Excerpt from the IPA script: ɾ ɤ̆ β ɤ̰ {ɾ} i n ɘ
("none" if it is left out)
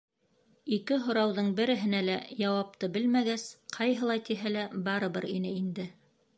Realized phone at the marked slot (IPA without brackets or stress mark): ɾ